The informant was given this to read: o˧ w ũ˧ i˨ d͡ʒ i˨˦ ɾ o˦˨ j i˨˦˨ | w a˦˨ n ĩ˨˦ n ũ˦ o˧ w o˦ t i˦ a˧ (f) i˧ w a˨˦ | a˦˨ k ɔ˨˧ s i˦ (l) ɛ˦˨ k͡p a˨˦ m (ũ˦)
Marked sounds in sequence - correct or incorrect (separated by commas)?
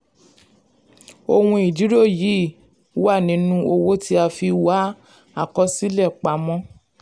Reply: correct, correct, incorrect